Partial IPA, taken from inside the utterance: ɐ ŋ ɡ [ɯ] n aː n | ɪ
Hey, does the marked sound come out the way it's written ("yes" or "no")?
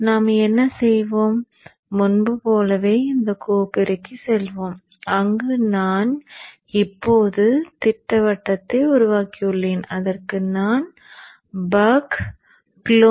yes